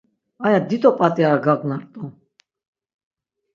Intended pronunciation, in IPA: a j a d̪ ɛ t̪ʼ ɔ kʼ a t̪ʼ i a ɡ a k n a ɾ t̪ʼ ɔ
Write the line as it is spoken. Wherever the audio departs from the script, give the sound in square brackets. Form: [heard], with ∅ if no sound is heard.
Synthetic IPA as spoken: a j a d̪ [i] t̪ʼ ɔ [pʼ] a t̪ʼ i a ɡ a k n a ɾ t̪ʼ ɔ